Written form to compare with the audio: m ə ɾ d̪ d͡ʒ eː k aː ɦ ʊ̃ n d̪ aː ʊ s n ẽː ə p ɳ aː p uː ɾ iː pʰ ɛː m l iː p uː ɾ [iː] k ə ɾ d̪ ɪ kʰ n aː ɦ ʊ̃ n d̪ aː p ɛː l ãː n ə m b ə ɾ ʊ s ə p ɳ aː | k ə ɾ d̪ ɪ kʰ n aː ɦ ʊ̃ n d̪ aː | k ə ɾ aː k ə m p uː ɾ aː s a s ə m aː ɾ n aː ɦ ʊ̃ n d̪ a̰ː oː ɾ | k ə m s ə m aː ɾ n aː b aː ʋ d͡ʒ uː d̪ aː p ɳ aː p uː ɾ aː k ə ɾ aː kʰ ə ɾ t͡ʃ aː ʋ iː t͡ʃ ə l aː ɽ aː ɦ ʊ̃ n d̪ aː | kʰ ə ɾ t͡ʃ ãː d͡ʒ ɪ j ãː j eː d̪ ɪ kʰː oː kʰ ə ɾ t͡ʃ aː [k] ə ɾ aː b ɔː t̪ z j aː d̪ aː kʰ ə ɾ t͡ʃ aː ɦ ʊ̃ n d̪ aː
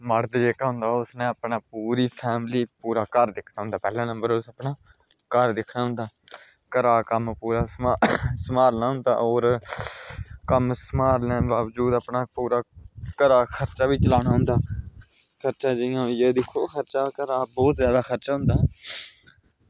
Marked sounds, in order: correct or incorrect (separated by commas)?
incorrect, correct